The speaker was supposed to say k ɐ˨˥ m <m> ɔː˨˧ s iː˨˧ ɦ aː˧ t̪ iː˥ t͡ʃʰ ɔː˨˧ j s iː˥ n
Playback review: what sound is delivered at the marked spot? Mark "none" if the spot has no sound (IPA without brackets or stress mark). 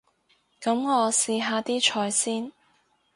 ŋ